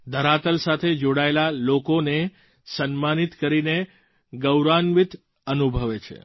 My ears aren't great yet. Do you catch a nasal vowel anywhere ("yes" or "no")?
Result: no